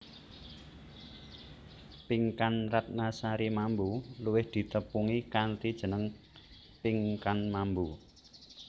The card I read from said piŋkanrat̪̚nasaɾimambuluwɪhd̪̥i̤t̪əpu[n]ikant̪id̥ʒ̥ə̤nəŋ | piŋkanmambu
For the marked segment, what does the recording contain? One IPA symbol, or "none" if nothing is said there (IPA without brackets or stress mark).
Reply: ŋ